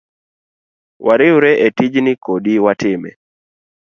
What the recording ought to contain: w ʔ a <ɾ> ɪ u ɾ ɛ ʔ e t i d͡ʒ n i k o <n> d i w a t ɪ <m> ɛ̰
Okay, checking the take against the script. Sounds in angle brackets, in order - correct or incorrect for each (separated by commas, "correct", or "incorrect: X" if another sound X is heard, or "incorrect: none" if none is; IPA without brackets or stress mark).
correct, incorrect: none, correct